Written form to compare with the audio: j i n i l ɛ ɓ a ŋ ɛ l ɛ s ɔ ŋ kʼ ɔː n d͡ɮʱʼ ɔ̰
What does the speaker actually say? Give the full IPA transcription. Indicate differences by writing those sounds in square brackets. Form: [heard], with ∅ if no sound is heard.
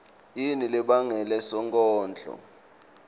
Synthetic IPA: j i n i l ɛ ɓ a ŋ ɛ l ɛ s ɔ ŋ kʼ ɔː n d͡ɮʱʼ ɔ̰